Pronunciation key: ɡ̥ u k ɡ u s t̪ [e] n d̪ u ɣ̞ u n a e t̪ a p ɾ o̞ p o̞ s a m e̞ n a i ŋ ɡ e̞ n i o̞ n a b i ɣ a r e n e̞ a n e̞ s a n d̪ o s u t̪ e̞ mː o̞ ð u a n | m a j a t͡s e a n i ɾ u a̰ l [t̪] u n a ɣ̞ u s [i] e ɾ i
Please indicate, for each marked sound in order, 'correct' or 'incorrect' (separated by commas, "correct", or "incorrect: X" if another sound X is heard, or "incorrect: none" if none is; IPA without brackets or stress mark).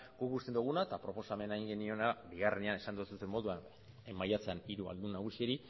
correct, incorrect: d̪, correct